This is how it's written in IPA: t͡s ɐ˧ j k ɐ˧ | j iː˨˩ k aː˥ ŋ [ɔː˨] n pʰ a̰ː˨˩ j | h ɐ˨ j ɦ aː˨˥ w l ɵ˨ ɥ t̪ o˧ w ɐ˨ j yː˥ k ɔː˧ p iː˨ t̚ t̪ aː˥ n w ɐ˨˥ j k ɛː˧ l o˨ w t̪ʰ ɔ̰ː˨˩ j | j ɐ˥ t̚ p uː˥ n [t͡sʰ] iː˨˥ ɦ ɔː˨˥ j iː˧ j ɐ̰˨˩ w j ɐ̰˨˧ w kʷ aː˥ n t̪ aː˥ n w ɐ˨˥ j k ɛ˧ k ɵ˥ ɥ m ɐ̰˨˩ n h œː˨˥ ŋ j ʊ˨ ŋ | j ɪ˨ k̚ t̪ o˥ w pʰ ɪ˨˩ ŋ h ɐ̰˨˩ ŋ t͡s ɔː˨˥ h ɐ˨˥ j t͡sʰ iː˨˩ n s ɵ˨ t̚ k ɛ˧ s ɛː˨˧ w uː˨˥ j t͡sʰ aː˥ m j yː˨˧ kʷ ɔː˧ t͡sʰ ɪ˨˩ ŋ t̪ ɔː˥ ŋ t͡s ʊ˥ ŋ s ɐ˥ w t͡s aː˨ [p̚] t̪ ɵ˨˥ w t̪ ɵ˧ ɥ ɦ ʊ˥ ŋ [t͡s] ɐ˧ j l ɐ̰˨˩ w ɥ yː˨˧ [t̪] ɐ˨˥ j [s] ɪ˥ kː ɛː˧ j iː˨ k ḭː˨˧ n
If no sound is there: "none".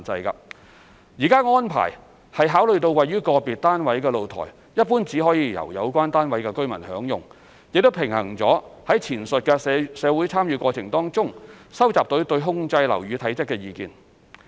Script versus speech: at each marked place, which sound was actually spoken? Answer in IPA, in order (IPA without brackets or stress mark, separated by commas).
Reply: ɔː˥, t͡s, p̚, t͡s, t̪ʰ, t͡s